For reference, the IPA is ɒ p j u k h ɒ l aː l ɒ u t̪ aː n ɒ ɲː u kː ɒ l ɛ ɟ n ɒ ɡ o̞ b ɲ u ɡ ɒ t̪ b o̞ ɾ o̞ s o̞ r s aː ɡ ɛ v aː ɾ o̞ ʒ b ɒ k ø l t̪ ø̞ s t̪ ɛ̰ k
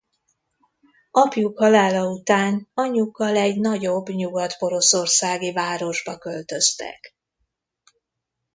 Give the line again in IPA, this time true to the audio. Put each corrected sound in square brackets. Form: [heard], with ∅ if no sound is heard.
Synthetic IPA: ɒ p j u k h ɒ l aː l ɒ u t̪ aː n ɒ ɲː u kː ɒ l ɛ ɟ n ɒ [ɟ] o̞ b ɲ u ɡ ɒ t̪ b o̞ ɾ o̞ s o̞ r s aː ɡ [i] v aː ɾ o̞ ʒ b ɒ k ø l t̪ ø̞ s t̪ ɛ̰ k

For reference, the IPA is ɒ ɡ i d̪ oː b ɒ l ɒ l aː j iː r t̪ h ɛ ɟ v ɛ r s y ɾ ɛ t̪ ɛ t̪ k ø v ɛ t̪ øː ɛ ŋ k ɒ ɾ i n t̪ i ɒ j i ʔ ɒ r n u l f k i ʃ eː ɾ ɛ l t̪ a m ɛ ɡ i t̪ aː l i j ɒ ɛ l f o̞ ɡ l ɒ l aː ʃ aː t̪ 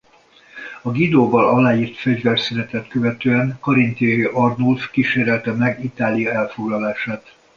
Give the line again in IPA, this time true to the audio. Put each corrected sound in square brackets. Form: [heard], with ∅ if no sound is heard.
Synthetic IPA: ɒ ɡ i d̪ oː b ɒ l ɒ l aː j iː r t̪ [f] ɛ ɟ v ɛ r s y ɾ ɛ t̪ ɛ t̪ k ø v ɛ t̪ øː ɛ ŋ k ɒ ɾ i n t̪ i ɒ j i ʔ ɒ r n u l f k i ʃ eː ɾ ɛ l t̪ [ɛ] m ɛ ɡ i t̪ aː l i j ɒ ɛ l f o̞ ɡ l ɒ l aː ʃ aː t̪

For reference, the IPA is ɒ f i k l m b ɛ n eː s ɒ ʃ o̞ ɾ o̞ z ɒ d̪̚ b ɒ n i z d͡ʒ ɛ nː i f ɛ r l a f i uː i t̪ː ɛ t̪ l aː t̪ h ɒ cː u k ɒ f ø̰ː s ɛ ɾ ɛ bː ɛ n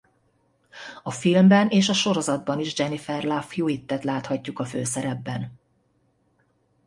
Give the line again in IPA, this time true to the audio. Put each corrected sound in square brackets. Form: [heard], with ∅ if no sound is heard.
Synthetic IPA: ɒ f i [∅] l m b ɛ n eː [ʃ] ɒ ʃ o̞ ɾ o̞ z ɒ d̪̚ b ɒ n i [ʒ] d͡ʒ ɛ [n] i f ɛ r l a f [j] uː i t̪ː ɛ t̪ l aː t̪ h ɒ cː u k ɒ f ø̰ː s ɛ ɾ ɛ bː ɛ n

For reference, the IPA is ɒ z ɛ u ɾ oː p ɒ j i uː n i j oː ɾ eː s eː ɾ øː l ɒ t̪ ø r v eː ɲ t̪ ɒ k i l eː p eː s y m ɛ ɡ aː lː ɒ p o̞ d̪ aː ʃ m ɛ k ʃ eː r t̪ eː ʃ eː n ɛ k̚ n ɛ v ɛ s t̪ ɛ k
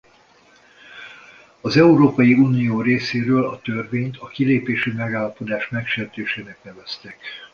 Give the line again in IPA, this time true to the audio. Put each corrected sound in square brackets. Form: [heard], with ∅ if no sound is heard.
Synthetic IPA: ɒ z ɛ u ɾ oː p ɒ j i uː n i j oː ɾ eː s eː ɾ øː l ɒ t̪ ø r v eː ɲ t̪ ɒ k i l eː p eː [ʃ] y m ɛ ɡ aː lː ɒ p o̞ d̪ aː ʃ m ɛ k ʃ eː r t̪ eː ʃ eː n ɛ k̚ n ɛ v ɛ s t̪ ɛ k

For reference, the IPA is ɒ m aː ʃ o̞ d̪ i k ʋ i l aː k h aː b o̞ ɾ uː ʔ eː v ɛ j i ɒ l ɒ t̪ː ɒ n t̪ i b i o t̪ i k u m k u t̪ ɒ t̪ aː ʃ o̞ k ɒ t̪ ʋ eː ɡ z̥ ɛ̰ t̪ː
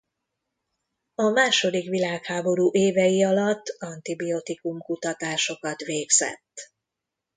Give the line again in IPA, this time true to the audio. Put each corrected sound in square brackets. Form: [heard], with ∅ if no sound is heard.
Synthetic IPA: ɒ m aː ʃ o̞ d̪ i k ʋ i l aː k h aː b o̞ ɾ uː ʔ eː v ɛ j i ɒ l ɒ t̪ː ɒ n t̪ i b i o t̪ i k u m k u t̪ ɒ t̪ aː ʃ o̞ k ɒ t̪ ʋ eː ɡ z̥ ɛ̰ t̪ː

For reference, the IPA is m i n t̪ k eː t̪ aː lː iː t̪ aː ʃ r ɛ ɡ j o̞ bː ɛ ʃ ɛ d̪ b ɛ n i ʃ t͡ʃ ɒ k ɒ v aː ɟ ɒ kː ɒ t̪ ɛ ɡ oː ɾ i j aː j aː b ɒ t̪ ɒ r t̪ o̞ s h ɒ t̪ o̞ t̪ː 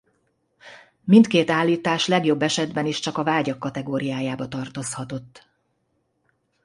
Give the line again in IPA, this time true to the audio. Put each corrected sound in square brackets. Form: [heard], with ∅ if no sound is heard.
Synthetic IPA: m i n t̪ k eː t̪ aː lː iː t̪ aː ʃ [l] ɛ ɡ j o̞ bː ɛ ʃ ɛ d̪ b ɛ n i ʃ t͡ʃ ɒ k ɒ v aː ɟ ɒ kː ɒ t̪ ɛ ɡ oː ɾ i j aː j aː b ɒ t̪ ɒ r t̪ o̞ s h ɒ t̪ o̞ t̪ː

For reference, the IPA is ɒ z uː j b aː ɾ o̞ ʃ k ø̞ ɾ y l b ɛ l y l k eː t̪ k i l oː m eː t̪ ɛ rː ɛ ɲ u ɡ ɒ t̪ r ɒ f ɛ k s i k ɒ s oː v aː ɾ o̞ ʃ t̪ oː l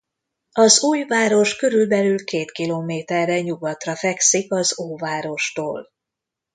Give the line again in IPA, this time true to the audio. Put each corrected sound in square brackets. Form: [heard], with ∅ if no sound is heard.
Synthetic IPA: ɒ z uː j [v] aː ɾ o̞ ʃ k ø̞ ɾ y l b ɛ l y l k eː t̪ k i l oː m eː t̪ ɛ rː ɛ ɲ u ɡ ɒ t̪ r ɒ f ɛ k s i k ɒ [z] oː v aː ɾ o̞ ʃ t̪ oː l

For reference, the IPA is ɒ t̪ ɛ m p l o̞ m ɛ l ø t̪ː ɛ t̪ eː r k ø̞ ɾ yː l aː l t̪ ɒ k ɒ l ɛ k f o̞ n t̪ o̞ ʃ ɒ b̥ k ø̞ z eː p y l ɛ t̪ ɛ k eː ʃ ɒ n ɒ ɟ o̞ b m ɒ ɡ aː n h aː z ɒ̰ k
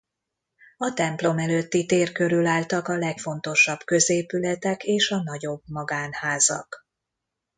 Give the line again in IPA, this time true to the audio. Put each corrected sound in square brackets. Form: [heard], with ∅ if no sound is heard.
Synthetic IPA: ɒ t̪ ɛ m p l o̞ m ɛ l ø t̪ː [i] t̪ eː r k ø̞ ɾ [y] l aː l t̪ ɒ k ɒ l ɛ k f o̞ n t̪ o̞ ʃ ɒ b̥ k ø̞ z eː p y l ɛ t̪ ɛ k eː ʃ ɒ n ɒ ɟ o̞ b m ɒ ɡ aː n h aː z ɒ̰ k

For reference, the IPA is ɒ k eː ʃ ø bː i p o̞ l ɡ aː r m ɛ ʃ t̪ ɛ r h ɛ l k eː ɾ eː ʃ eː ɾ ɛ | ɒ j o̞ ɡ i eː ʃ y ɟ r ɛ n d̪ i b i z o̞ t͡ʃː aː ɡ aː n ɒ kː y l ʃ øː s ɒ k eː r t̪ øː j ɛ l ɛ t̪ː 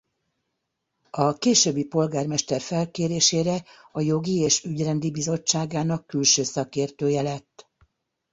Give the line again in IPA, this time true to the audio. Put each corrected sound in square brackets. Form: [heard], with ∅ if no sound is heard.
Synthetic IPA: ɒ k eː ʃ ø bː i p o̞ l ɡ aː r m ɛ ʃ t̪ ɛ r [f] ɛ l k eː ɾ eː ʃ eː ɾ ɛ | ɒ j o̞ ɡ i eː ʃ y ɟ r ɛ n d̪ i b i z o̞ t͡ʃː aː ɡ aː n ɒ kː y l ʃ øː s ɒ k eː r t̪ øː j ɛ l ɛ t̪ː

